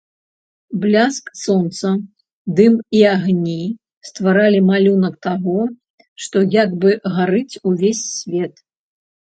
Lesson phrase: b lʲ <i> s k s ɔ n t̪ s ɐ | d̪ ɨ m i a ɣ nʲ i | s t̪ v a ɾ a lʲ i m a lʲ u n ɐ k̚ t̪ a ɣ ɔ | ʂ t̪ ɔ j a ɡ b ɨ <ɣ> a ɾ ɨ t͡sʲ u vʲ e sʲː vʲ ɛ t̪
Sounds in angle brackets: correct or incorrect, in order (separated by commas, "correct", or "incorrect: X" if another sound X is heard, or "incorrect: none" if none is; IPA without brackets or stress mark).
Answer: incorrect: a, correct